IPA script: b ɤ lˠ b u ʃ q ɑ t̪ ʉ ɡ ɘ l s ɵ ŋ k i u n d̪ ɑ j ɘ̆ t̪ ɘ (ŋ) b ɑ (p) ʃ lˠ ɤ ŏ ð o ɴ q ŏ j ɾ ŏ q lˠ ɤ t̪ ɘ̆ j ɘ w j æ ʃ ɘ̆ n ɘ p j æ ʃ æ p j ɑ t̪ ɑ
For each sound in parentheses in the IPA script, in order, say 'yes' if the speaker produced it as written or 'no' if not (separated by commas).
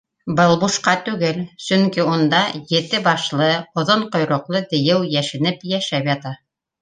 no, no